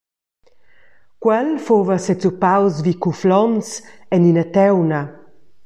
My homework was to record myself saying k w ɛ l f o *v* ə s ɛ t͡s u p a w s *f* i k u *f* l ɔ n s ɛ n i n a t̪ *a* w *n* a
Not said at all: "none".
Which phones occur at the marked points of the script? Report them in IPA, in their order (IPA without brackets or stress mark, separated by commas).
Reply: v, v, f, ɛ, n